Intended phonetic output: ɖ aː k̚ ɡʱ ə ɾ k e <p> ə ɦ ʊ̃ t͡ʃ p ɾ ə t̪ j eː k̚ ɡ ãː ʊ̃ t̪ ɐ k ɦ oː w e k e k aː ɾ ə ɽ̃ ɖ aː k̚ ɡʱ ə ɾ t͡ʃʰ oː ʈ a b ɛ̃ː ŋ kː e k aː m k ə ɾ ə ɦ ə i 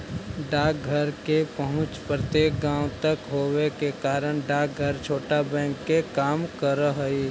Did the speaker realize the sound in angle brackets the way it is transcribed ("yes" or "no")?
yes